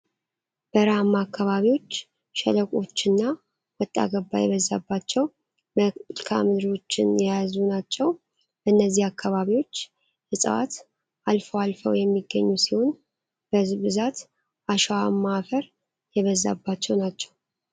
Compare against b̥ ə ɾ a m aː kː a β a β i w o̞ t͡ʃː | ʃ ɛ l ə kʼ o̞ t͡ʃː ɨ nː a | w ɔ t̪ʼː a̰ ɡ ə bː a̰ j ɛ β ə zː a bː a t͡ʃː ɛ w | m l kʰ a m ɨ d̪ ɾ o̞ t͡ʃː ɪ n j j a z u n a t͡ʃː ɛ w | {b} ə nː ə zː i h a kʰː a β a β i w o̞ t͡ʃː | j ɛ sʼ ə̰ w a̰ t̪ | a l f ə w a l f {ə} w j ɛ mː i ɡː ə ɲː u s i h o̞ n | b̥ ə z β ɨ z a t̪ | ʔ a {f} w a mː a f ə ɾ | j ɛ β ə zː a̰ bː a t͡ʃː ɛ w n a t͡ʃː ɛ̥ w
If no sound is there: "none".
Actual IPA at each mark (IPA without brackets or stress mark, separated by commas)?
b, ə, ʃ